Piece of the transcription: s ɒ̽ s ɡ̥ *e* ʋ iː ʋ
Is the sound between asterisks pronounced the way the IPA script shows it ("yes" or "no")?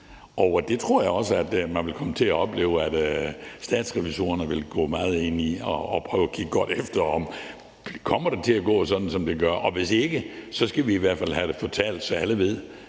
no